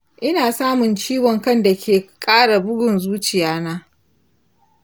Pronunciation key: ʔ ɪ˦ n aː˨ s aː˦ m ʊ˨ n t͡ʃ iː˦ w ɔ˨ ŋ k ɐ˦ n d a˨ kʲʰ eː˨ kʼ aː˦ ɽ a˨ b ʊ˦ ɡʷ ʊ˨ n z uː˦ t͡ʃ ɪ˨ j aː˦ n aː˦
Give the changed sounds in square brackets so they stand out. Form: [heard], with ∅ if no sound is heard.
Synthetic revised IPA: ʔ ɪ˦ n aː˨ s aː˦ m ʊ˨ n t͡ʃ iː˦ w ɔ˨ ŋ k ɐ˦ n d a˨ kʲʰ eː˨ kʼ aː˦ ɽ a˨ b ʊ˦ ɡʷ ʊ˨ n z uː˦ t͡ʃ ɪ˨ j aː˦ n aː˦